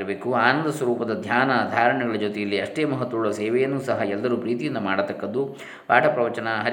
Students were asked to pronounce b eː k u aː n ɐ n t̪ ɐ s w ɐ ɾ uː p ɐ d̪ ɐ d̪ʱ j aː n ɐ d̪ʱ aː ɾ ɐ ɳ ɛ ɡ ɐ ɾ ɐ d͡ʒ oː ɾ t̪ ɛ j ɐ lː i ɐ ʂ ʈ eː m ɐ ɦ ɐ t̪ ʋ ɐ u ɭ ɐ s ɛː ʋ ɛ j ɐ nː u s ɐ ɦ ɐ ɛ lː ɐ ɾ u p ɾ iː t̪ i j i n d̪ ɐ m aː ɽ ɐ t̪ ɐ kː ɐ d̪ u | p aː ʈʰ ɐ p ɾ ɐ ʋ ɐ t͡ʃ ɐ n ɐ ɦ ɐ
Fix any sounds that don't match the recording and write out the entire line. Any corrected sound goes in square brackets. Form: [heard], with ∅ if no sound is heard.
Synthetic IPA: b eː k u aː n ɐ n [d̪] ɐ s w ɐ ɾ uː p ɐ d̪ ɐ d̪ʱ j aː n ɐ d̪ʱ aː ɾ ɐ ɳ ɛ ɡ ɐ [ɭ] ɐ d͡ʒ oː [∅] t̪ ɛ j ɐ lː i ɐ ʂ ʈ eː m ɐ ɦ ɐ t̪ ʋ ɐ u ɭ ɐ s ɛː ʋ ɛ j ɐ nː u s ɐ ɦ ɐ ɛ lː ɐ ɾ u p ɾ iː t̪ i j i n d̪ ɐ m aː ɽ ɐ t̪ ɐ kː ɐ d̪ u | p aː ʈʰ ɐ p ɾ ɐ ʋ ɐ t͡ʃ ɐ n ɐ ɦ ɐ